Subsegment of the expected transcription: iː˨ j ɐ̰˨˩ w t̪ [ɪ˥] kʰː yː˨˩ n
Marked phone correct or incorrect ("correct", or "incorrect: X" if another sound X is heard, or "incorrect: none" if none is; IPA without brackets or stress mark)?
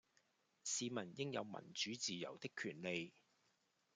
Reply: correct